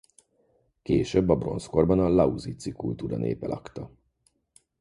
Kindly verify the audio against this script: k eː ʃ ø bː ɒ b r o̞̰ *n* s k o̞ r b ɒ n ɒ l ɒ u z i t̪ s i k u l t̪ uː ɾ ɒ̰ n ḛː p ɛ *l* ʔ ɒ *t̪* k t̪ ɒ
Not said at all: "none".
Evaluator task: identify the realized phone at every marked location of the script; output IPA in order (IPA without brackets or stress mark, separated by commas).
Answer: n, l, none